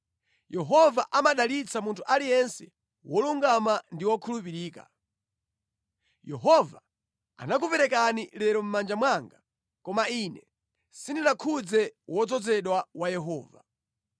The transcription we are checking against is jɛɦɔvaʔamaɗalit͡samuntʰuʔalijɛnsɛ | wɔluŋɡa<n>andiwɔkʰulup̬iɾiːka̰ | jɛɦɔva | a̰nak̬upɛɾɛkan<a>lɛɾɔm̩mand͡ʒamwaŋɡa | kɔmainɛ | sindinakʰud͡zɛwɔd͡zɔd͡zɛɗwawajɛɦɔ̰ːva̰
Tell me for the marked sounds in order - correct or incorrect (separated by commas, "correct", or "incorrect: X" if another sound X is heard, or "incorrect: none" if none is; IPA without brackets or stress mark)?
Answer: incorrect: m, incorrect: i